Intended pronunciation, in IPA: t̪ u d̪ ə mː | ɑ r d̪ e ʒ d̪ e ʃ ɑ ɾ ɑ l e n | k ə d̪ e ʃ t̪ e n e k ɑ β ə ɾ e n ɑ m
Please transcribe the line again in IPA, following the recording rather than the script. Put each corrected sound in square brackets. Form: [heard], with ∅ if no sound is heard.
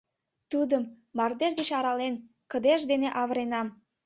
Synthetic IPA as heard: t̪ u d̪ ə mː | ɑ r d̪ e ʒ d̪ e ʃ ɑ ɾ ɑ l e n | k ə d̪ e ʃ [d̪] e n e [ʔ] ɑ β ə ɾ e n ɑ m